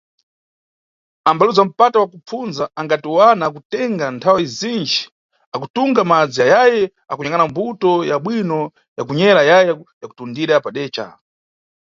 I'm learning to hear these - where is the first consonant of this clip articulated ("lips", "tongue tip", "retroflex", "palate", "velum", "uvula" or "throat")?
lips